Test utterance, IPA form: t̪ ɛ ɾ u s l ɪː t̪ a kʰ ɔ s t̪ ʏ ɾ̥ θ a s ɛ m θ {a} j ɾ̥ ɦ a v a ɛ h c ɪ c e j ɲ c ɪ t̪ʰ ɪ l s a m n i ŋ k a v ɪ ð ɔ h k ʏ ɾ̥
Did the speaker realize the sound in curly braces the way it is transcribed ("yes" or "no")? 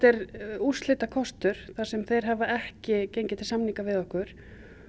no